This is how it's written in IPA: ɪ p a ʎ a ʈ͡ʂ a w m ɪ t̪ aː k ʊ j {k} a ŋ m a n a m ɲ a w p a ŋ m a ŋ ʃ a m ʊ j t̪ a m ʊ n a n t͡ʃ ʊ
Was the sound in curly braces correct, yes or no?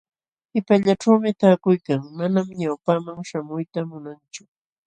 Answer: yes